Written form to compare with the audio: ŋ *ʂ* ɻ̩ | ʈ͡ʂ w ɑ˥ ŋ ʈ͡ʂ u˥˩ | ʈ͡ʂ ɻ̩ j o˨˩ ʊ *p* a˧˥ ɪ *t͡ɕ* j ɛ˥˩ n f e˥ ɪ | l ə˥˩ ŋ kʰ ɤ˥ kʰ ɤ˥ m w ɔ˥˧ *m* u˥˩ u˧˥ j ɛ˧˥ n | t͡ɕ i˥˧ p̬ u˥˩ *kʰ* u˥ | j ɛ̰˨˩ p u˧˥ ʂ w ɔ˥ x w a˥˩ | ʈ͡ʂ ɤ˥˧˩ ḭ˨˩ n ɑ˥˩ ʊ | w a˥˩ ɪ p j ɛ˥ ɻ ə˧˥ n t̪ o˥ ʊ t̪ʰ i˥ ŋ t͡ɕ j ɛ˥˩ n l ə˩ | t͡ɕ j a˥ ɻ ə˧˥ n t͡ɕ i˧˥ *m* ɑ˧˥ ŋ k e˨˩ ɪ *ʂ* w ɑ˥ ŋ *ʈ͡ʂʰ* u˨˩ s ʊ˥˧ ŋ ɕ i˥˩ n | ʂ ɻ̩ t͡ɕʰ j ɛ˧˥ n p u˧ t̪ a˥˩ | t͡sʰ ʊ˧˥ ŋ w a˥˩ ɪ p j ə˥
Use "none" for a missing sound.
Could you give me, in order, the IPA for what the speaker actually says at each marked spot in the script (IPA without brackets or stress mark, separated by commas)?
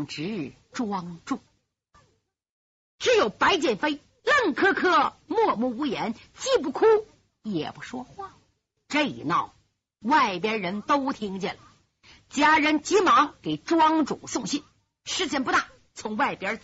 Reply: ʈ͡ʂ, p, t͡ɕ, m, kʰ, m, ʈ͡ʂ, ʈ͡ʂ